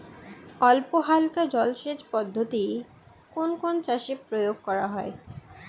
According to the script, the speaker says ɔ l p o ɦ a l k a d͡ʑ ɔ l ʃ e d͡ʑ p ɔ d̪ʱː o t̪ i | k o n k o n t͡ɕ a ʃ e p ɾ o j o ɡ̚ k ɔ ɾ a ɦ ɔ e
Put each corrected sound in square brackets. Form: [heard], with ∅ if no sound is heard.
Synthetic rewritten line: ɔ l p o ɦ a l k a d͡ʑ ɔ l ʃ e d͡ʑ p ɔ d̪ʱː o t̪ i | k o n k o n t͡ɕ a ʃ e p ɾ o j o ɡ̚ k ɔ ɾ a ɦ ɔ e

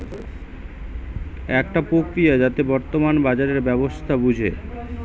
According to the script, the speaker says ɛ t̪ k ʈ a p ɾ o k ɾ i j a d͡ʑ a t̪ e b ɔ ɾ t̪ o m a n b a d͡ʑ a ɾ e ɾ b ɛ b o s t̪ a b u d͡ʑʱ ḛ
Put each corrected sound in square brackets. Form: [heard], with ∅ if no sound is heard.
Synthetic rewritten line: ɛ [∅] k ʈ a p ɾ o k ɾ i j a d͡ʑ a t̪ e b ɔ ɾ t̪ o m a n b a d͡ʑ a ɾ e ɾ b ɛ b o s [t̪ʰ] a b u d͡ʑʱ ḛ

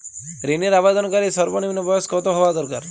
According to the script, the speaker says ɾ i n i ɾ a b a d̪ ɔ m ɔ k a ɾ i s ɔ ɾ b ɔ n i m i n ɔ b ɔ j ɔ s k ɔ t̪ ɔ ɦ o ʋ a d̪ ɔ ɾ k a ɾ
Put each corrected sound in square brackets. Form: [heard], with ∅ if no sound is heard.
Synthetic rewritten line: ɾ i n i ɾ a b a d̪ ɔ [n] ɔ k a ɾ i s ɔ ɾ b ɔ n i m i n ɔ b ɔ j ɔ s k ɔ t̪ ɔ ɦ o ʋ a d̪ ɔ ɾ k a ɾ

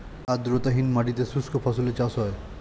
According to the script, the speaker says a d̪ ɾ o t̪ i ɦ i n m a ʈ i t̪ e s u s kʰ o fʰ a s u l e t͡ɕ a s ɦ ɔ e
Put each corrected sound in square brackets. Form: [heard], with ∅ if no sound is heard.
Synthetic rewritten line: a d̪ ɾ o t̪ [a] ɦ i n m a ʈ i t̪ e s u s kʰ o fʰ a s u l e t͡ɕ a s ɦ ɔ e

